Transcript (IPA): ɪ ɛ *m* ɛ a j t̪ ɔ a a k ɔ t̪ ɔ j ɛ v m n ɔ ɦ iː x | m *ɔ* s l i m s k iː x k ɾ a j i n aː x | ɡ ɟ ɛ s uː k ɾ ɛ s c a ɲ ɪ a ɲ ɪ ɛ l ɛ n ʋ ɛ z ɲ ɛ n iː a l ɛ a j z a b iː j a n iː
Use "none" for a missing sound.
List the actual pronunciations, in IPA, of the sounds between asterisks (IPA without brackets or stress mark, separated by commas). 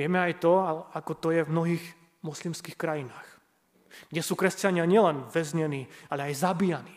m, ɔ